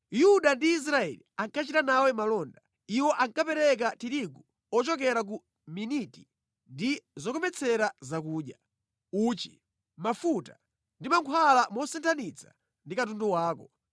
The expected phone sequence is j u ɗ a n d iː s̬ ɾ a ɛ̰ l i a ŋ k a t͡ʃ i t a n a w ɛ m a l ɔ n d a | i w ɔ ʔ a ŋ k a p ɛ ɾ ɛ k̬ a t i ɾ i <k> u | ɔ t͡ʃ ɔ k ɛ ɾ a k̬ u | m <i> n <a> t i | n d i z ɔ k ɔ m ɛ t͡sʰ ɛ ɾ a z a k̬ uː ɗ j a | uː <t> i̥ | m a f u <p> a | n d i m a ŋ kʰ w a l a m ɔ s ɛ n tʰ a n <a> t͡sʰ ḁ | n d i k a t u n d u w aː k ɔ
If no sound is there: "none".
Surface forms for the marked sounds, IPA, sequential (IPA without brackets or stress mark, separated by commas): ɡ, i, i, t͡ʃ, t, i